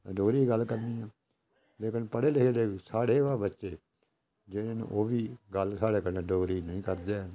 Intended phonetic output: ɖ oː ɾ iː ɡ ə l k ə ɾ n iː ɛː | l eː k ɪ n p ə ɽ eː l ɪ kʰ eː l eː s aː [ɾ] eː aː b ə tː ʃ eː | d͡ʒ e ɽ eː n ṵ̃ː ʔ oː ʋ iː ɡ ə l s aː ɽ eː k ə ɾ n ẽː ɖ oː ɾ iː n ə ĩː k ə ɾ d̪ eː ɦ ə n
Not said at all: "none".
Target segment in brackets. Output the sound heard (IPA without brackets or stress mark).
ɽ